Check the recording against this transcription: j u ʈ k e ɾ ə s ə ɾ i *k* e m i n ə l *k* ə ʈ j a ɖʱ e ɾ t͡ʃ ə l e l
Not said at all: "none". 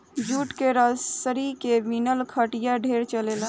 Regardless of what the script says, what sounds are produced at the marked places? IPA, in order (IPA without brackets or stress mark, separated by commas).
k, kʰ